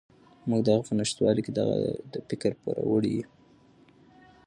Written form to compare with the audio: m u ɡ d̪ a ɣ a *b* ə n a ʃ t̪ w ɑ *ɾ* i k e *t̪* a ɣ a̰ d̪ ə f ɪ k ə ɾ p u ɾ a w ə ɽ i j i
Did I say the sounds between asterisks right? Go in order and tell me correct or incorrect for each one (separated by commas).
incorrect, incorrect, incorrect